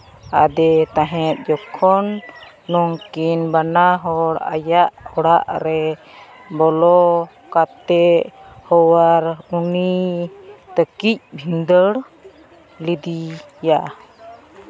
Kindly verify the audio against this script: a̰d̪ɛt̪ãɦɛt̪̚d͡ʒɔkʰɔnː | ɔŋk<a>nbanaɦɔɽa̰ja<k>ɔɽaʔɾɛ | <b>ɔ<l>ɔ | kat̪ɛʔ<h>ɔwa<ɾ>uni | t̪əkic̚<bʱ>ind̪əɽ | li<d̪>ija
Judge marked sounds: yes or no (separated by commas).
no, no, yes, yes, yes, yes, yes, yes